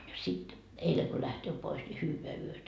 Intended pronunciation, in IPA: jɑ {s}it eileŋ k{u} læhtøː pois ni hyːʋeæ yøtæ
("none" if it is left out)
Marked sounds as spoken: s, o

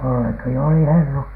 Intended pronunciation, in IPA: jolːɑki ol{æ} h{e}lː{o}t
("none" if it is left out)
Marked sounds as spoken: i, e, u

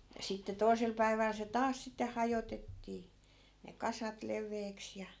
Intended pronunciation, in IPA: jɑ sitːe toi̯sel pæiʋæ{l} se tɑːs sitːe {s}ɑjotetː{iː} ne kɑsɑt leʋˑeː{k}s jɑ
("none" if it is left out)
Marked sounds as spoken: l, h, iː, k

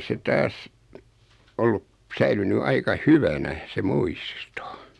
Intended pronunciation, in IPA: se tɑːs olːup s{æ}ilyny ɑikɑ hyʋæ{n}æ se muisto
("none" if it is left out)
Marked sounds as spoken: æ, n

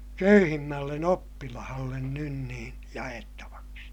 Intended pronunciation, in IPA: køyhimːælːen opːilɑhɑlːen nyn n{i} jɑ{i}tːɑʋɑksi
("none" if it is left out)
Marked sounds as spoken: iː, e

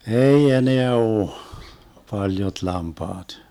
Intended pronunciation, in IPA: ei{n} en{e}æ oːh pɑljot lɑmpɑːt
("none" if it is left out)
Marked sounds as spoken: none, e

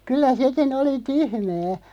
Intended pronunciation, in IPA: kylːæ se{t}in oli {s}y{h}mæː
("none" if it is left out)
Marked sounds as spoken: k, t, h

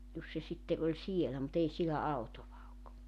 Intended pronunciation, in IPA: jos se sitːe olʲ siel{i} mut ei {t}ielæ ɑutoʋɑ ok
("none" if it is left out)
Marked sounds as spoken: æ, s

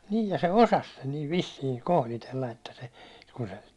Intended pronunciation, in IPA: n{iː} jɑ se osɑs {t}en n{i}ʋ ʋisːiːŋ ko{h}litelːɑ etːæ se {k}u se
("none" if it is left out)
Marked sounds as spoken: iː, s, iː, h, k

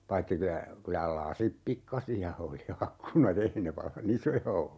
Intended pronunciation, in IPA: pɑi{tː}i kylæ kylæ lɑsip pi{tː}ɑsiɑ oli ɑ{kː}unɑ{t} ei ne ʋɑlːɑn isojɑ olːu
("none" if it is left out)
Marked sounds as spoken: tː, kː, kː, t

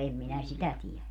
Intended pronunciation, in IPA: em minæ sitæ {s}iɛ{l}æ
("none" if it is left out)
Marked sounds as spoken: t, l

